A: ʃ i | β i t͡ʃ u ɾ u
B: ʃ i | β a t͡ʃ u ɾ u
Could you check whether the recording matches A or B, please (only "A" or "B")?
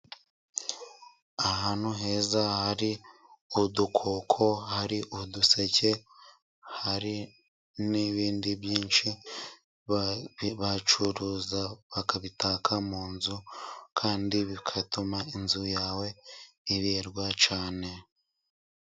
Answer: B